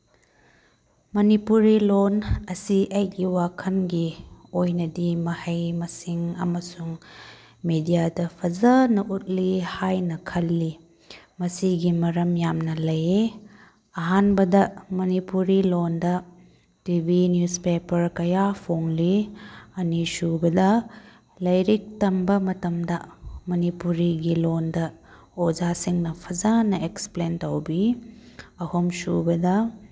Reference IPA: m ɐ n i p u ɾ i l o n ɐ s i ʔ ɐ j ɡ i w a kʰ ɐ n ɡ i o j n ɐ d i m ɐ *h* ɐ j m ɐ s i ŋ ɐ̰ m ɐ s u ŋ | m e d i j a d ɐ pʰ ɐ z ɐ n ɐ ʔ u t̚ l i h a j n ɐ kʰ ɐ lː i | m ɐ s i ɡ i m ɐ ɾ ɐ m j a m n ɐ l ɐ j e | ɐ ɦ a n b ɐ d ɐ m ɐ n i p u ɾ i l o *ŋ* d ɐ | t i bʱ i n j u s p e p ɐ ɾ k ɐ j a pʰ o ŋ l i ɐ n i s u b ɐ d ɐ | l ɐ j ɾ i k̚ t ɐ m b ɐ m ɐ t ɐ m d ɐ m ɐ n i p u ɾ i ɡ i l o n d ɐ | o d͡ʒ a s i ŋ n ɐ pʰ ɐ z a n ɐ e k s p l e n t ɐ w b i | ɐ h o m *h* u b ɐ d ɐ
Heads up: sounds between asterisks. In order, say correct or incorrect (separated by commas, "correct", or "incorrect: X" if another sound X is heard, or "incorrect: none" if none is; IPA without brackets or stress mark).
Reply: correct, incorrect: n, incorrect: s